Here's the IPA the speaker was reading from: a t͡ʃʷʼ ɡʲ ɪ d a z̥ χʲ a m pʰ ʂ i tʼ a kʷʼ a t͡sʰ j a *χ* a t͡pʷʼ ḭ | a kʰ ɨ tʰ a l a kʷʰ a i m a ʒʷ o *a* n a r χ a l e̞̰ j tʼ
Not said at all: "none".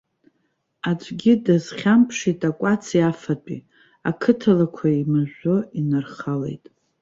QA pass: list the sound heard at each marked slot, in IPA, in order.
f, i

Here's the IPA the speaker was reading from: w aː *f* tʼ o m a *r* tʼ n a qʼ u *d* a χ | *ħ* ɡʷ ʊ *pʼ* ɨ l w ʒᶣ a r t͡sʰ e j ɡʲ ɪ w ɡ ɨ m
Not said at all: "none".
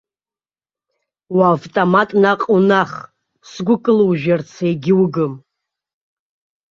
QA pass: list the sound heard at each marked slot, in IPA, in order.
v, none, n, s, kʼ

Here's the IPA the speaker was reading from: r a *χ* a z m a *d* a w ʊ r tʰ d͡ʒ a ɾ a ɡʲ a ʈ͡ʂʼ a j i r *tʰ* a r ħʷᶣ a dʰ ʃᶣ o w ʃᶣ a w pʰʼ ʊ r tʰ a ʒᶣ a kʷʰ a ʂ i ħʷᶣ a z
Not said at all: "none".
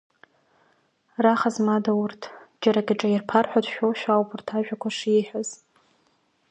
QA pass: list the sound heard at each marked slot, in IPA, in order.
χ, d, pʰ

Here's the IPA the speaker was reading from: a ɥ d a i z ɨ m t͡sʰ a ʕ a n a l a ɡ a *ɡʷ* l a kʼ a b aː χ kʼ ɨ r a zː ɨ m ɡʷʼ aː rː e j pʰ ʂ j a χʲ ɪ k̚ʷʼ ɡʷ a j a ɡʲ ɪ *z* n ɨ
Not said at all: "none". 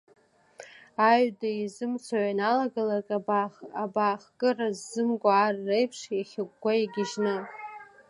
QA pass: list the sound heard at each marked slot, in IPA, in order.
none, ʒ

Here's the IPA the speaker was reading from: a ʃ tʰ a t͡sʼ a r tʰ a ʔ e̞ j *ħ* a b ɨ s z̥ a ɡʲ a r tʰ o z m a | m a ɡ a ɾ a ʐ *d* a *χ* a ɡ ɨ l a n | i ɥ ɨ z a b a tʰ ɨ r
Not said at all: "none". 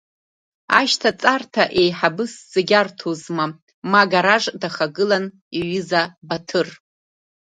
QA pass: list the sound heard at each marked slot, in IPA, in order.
ħ, d, χ

